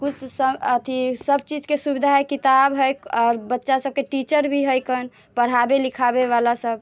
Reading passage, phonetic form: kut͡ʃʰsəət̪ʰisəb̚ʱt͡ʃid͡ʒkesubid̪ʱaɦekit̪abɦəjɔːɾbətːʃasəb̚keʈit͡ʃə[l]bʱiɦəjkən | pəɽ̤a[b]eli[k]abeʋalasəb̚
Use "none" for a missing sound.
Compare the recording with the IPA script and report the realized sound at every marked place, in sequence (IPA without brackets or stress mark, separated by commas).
ɾ, b, kʰ